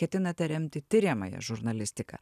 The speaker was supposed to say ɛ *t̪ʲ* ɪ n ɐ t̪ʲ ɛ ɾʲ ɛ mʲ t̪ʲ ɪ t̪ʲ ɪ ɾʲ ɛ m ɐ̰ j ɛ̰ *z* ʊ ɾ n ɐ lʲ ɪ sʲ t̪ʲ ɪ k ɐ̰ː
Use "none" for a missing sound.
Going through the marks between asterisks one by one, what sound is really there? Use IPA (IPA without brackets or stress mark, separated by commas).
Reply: t̪ʲ, ʒ